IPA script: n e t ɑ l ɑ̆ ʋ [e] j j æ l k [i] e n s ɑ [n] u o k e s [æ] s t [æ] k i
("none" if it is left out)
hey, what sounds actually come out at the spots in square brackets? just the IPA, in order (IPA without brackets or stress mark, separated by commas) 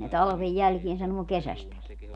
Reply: e, i, n, æ, æ